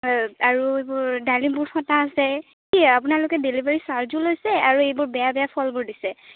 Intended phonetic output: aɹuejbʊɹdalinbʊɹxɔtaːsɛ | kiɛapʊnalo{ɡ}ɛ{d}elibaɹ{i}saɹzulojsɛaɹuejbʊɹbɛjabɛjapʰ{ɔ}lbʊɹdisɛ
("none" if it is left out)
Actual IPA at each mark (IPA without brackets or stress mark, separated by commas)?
k, d, i, ɔ